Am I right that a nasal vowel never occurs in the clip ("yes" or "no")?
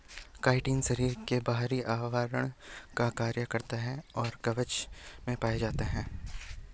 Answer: no